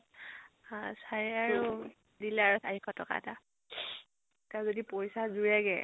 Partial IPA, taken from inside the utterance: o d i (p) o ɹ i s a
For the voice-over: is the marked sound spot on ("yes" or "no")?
yes